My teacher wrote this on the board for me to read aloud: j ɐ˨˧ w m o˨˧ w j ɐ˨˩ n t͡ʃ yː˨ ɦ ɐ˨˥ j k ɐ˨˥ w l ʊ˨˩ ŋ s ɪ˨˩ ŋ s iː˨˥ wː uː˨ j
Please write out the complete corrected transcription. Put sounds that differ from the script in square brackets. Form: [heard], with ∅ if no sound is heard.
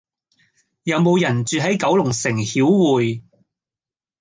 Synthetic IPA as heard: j ɐ˨˧ w m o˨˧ w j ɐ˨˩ n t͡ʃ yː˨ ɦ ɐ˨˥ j k ɐ˨˥ w l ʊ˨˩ ŋ s ɪ˨˩ ŋ [h] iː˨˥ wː uː˨ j